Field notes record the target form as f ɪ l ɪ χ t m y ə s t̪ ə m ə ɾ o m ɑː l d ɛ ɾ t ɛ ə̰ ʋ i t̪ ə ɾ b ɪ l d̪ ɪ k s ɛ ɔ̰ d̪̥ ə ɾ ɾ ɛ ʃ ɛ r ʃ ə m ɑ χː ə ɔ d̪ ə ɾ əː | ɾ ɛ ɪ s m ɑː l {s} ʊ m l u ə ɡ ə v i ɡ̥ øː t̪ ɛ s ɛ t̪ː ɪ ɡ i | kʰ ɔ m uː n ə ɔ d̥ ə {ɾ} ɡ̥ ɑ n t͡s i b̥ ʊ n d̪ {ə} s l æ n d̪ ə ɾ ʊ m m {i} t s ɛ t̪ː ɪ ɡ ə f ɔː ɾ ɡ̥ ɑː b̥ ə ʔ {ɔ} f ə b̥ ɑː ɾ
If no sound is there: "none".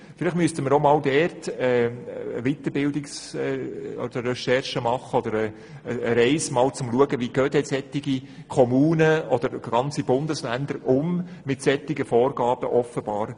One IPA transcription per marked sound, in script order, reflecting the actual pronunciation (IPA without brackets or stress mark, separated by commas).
t͡s, ɾ, ə, ɪ, ɔ